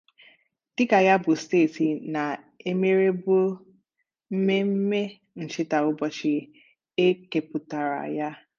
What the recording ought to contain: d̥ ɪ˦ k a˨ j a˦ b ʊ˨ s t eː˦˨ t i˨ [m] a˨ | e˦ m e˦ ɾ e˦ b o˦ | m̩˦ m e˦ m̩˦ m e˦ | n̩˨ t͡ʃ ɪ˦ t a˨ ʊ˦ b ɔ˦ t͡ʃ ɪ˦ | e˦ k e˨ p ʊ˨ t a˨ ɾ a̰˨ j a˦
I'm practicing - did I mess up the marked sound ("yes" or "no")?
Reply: yes